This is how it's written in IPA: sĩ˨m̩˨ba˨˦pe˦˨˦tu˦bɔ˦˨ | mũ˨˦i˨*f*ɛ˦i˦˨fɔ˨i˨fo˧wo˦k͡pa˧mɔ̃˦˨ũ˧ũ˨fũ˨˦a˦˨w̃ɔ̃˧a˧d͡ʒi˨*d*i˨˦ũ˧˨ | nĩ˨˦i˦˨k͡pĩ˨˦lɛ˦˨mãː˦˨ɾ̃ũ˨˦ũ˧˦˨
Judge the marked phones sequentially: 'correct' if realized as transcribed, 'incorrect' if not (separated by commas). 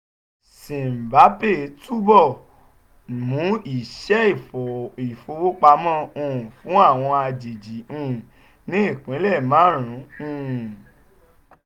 incorrect, incorrect